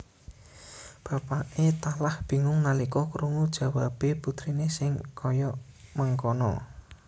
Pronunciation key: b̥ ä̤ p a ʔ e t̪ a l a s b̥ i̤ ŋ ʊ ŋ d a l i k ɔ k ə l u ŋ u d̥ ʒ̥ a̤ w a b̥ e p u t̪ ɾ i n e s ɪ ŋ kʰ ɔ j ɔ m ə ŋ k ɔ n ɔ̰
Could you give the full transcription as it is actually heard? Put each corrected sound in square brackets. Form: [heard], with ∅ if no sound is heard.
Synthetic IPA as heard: b̥ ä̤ p a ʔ e t̪ a l a [h] b̥ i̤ ŋ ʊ ŋ [n] a l i k ɔ k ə [ɾ] u ŋ u d̥ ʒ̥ a̤ w a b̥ e p u t̪ ɾ i n e s ɪ ŋ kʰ ɔ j ɔ m ə ŋ k ɔ n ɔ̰